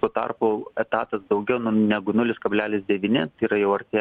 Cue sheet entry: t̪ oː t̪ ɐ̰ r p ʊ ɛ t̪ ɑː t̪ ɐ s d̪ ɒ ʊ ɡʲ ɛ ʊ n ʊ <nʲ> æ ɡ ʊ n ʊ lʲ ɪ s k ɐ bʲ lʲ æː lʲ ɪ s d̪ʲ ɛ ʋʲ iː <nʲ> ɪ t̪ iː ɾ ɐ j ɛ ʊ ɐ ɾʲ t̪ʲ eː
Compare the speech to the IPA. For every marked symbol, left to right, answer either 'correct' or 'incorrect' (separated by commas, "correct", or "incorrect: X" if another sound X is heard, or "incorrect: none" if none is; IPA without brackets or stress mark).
correct, correct